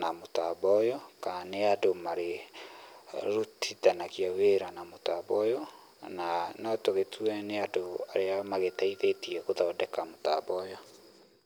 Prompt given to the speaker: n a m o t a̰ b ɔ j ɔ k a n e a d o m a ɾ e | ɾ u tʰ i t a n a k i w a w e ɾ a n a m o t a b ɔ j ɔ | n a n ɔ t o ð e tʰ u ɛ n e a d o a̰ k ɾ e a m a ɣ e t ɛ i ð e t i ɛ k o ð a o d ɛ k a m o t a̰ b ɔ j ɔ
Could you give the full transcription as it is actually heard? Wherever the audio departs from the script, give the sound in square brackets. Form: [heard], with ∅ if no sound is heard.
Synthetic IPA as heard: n a m o t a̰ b ɔ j ɔ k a n e a d o m a ɾ e | ɾ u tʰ i t a n a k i [∅] a w e ɾ a n a m o t a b ɔ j ɔ | n a n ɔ t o [ɣ] e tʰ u ɛ n e a d o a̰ [∅] ɾ e a m a ɣ e t [a] i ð e t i ɛ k o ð a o d ɛ k a m o t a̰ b ɔ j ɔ